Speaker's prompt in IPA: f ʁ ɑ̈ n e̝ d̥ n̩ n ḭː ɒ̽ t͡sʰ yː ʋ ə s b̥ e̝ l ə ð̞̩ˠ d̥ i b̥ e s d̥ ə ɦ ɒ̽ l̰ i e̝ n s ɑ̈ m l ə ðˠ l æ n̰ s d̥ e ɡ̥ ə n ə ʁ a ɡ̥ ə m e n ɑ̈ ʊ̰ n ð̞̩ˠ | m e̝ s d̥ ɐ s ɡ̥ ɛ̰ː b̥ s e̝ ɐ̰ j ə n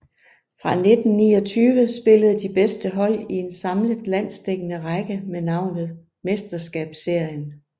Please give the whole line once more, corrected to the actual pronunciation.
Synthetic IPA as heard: f ʁ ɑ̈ n e̝ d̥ n̩ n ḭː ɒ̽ t͡sʰ yː ʋ ə s b̥ e̝ l ə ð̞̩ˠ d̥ i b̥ e s d̥ ə ɦ ɒ̽ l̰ i e̝ n s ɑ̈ m l ə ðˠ l æ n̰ s d̥ e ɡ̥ ə n ə ʁ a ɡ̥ ə m e n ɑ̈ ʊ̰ n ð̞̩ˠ | m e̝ s d̥ ɐ s ɡ̥ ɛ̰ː b̥ s e̝ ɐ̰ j ə n